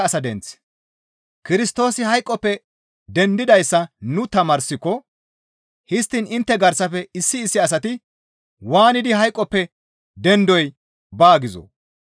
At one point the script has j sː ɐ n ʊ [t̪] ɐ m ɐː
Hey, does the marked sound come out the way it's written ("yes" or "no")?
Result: yes